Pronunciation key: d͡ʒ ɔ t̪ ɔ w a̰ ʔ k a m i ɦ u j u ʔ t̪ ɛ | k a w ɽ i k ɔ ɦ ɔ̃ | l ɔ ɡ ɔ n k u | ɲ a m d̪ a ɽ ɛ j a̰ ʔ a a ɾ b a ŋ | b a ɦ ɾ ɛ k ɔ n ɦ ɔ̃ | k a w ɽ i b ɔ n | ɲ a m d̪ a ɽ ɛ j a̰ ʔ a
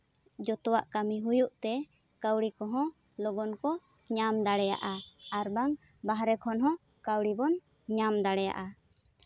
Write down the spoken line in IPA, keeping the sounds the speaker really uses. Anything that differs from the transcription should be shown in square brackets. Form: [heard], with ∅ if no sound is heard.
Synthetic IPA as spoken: d͡ʒ ɔ t̪ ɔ w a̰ ʔ k a m i ɦ u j u ʔ t̪ ɛ | k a w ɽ i k ɔ ɦ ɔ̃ | l ɔ ɡ ɔ n k [ɔ] | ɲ a m d̪ a ɽ ɛ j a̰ ʔ a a ɾ b a ŋ | b a ɦ ɾ ɛ [kʰ] ɔ n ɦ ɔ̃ | k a w ɽ i b ɔ n | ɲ a m d̪ a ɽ ɛ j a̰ ʔ a